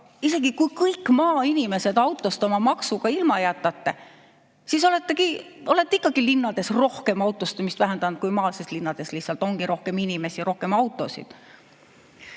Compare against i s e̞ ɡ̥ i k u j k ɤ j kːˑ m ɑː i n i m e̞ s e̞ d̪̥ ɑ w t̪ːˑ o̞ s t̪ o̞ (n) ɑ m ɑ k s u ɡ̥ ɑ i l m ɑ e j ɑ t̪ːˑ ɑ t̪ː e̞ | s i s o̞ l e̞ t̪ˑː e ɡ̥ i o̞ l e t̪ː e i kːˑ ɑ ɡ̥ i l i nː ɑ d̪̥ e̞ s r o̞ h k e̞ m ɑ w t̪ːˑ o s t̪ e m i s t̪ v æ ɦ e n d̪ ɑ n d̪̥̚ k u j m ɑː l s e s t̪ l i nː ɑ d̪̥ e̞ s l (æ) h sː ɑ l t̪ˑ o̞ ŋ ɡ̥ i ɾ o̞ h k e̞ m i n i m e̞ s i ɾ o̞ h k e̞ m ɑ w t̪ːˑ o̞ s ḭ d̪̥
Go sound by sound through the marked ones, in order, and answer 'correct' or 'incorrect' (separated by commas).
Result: incorrect, incorrect